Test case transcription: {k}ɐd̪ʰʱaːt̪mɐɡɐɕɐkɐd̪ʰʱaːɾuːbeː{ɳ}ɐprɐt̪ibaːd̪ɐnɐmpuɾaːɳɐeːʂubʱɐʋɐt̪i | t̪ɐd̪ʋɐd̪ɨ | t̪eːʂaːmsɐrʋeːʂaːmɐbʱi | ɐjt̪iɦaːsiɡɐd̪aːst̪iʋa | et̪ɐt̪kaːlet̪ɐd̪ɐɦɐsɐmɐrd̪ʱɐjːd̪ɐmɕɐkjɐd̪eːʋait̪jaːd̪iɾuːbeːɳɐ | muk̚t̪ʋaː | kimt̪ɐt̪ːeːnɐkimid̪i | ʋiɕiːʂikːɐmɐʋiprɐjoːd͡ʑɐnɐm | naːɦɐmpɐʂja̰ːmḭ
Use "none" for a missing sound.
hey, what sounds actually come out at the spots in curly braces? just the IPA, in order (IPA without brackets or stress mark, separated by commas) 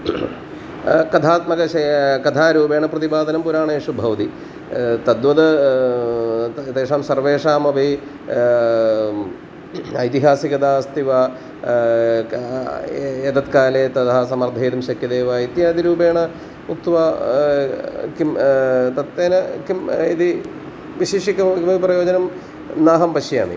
k, ɳ